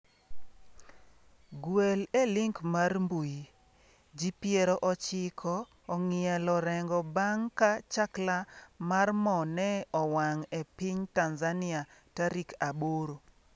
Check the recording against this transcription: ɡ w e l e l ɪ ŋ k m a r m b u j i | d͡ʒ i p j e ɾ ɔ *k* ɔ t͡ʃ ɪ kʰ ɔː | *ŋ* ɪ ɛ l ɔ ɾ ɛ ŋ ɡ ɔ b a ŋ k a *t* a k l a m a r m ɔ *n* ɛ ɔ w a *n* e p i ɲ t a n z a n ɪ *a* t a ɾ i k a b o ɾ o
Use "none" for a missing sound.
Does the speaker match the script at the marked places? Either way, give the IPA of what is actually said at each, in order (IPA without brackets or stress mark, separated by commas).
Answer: ʔ, ŋ, t͡ʃ, n, ŋ, a